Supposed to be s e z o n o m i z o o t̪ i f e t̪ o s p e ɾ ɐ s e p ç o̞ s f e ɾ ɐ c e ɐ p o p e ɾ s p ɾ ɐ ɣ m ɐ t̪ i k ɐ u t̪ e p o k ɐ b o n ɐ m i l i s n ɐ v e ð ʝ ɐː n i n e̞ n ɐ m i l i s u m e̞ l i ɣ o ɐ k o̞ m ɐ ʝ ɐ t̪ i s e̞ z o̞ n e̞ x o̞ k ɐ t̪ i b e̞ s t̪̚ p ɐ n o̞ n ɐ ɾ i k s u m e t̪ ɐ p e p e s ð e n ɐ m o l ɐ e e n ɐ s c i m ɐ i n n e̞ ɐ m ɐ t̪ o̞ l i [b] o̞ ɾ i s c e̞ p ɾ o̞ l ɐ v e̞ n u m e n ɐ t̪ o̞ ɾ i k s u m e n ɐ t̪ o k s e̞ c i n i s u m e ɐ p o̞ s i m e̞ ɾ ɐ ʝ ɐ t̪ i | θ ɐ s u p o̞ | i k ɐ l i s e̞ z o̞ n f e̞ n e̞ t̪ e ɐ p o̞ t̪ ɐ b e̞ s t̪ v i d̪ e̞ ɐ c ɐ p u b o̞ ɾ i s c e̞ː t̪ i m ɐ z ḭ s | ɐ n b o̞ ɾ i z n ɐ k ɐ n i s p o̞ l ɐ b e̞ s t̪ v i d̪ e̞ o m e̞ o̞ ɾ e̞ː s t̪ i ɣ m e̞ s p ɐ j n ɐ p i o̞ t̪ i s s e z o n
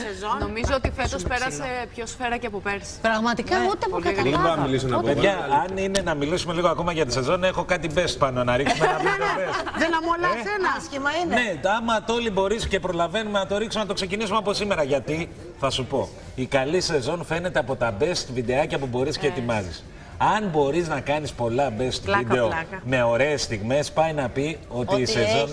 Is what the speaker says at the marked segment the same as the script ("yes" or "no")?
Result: yes